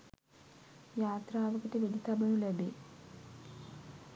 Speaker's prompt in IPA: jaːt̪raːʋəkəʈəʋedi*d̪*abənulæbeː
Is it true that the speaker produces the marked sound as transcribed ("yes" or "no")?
no